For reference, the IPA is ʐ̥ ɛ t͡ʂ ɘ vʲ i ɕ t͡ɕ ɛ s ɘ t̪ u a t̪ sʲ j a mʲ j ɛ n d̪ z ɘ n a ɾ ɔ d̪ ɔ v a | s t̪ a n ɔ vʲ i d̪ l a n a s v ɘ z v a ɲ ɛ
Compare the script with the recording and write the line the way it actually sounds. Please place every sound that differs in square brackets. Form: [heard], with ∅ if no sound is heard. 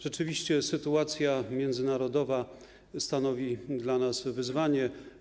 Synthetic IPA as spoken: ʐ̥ ɛ t͡ʂ ɘ vʲ i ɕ t͡ɕ ɛ s ɘ t̪ u a t̪ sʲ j a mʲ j ɛ n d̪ z ɘ n a ɾ ɔ d̪ ɔ v a | s t̪ a n ɔ vʲ i d̪ l a n a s v ɘ z v a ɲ ɛ

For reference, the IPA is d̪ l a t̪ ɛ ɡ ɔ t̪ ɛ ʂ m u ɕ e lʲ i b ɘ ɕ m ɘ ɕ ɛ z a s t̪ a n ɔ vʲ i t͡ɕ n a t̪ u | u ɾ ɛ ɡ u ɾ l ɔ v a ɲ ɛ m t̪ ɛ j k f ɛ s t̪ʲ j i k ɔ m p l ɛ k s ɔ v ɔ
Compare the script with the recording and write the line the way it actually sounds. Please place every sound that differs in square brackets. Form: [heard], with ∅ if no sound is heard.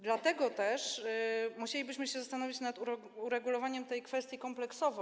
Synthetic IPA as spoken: d̪ l a t̪ ɛ ɡ ɔ t̪ ɛ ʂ m u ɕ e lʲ i b ɘ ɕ m ɘ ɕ ɛ z a s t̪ a n ɔ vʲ i t͡ɕ n a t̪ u | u ɾ ɛ ɡ u [∅] l ɔ v a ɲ ɛ m t̪ ɛ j k f ɛ s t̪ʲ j i k ɔ m p l ɛ k s ɔ v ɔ

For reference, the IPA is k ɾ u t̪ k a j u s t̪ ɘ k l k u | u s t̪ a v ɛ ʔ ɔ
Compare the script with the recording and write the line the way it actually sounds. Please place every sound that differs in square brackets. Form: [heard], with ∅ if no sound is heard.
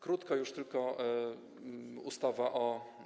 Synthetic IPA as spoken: k ɾ u t̪ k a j u [ʂ] t̪ ɘ [∅] l k [ɔ] | u s t̪ a v [a] ʔ ɔ

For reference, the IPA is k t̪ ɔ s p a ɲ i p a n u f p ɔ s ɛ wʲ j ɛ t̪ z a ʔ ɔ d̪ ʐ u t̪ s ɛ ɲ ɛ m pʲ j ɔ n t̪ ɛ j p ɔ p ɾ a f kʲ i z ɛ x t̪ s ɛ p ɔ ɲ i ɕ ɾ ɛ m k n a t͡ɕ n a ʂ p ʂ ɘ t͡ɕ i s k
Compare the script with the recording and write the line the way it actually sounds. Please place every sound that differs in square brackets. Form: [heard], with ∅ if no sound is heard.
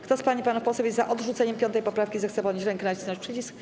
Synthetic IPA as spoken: k t̪ ɔ s p a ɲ i p a n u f p ɔ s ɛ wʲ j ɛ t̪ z a ʔ ɔ d̪ ʐ u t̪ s ɛ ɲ ɛ m pʲ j ɔ n t̪ ɛ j p ɔ p ɾ a f kʲ i z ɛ x t̪ s ɛ p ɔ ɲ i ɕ ɾ ɛ [ŋ] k n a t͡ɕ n a ʂ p ʂ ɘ t͡ɕ i s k

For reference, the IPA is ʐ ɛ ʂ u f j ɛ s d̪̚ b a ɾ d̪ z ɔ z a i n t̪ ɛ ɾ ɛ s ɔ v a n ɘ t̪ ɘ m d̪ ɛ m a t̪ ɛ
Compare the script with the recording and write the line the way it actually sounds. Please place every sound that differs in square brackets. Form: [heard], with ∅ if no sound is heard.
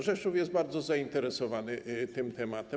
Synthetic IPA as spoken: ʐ ɛ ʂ u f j ɛ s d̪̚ b a ɾ d̪ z ɔ z a i n t̪ ɛ ɾ ɛ s ɔ v a n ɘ t̪ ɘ m [t̪] ɛ m a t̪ ɛ

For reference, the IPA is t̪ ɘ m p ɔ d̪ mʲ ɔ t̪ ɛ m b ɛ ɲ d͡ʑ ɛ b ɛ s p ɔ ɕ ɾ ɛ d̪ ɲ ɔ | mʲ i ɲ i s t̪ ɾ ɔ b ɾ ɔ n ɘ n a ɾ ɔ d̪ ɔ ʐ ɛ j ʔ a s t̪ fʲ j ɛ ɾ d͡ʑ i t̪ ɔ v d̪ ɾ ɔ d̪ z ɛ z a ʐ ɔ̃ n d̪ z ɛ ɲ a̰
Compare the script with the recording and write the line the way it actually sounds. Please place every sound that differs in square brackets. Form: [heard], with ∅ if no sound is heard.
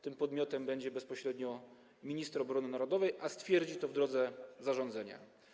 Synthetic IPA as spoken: t̪ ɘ m p ɔ d̪ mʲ ɔ t̪ ɛ m b ɛ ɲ d͡ʑ ɛ b ɛ s p ɔ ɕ ɾ ɛ d̪ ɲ ɔ | mʲ i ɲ i s t̪ ɾ ɔ b ɾ ɔ n ɘ n a ɾ ɔ d̪ ɔ [v] ɛ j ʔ a s t̪ fʲ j ɛ ɾ d͡ʑ i t̪ ɔ v d̪ ɾ ɔ d̪ z ɛ z a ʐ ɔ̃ n d̪ z ɛ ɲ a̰

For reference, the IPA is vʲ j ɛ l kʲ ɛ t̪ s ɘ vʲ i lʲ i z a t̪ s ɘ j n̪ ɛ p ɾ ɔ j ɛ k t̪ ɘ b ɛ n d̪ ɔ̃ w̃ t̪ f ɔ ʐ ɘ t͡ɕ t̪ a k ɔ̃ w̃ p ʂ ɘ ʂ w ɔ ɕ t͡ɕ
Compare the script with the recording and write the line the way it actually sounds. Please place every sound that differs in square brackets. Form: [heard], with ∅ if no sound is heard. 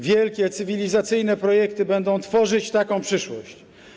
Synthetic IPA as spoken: vʲ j ɛ l kʲ ɛ t̪ s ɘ vʲ i lʲ i z a t̪ s ɘ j n̪ ɛ p ɾ ɔ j ɛ k t̪ ɘ b ɛ n d̪ ɔ̃ w̃ t̪ f ɔ ʐ ɘ t͡ɕ t̪ a k ɔ̃ w̃ p ʂ ɘ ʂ w ɔ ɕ t͡ɕ

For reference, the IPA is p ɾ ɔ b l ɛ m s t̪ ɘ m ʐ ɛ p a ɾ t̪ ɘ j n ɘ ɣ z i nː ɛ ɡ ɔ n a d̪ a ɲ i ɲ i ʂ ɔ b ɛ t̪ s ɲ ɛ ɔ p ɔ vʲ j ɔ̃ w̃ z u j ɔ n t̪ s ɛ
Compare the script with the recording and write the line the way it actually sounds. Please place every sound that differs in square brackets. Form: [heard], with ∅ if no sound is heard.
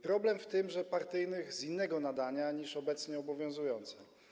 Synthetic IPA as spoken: p ɾ ɔ b l ɛ m [f] t̪ ɘ m ʐ ɛ p a ɾ t̪ ɘ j n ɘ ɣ z i nː ɛ ɡ ɔ n a d̪ a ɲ [a] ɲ i ʂ ɔ b ɛ t̪ s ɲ ɛ ɔ [b] ɔ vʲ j ɔ̃ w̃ z u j ɔ n t̪ s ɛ

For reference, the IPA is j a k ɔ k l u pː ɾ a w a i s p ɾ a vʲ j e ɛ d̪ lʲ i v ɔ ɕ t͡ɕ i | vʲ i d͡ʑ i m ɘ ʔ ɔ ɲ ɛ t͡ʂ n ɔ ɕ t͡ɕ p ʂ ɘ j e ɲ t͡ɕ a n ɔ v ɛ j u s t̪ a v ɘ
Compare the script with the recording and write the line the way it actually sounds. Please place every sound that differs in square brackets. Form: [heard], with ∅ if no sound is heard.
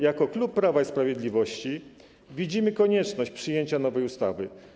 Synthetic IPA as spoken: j a k ɔ k l u pː ɾ a [v] a i s p ɾ a vʲ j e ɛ d̪ lʲ i v ɔ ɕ t͡ɕ i | vʲ i d͡ʑ i m ɘ [k] ɔ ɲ ɛ t͡ʂ n ɔ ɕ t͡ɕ p ʂ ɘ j e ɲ t͡ɕ a n ɔ v ɛ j u s t̪ a v ɘ

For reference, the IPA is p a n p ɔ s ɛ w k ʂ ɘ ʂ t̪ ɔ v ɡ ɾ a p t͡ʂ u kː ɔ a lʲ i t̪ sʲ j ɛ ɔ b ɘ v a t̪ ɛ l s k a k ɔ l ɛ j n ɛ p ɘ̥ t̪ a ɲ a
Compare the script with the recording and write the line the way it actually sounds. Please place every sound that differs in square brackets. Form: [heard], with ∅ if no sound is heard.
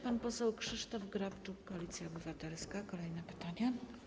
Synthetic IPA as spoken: p a n p ɔ s ɛ w k ʂ ɘ ʂ t̪ ɔ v ɡ ɾ a p t͡ʂ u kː ɔ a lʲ i t̪ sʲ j [a] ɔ b ɘ v a t̪ ɛ l s k a k ɔ l ɛ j n ɛ p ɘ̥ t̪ a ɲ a

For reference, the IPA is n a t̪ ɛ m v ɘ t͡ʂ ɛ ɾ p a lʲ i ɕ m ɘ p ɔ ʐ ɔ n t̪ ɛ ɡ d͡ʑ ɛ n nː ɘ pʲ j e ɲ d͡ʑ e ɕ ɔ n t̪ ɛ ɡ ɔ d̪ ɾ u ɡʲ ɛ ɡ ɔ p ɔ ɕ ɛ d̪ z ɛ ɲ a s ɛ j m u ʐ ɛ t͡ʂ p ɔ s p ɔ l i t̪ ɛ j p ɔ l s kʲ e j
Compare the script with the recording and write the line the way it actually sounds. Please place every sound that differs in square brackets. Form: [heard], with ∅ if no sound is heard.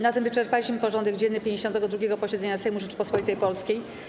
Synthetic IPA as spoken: n a t̪ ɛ m v ɘ t͡ʂ ɛ ɾ p a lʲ i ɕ m ɘ p ɔ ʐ ɔ n [d̪] ɛ ɡ d͡ʑ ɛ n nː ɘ pʲ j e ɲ d͡ʑ e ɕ ɔ n t̪ ɛ ɡ ɔ d̪ ɾ u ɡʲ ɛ ɡ ɔ p ɔ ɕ ɛ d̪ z ɛ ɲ a s ɛ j m u ʐ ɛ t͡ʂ p ɔ s p ɔ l i t̪ ɛ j p ɔ l s kʲ e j

